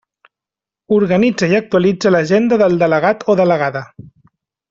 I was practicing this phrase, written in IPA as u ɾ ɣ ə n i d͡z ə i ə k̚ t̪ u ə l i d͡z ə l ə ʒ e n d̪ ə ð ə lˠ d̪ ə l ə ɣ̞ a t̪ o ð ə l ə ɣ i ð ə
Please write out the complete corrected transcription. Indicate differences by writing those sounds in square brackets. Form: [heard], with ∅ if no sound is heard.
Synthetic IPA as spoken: u ɾ ɣ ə n i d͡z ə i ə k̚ t̪ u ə l i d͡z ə l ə ʒ e n d̪ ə ð ə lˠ d̪ ə l ə ɣ̞ a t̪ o ð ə l ə ɣ [a] ð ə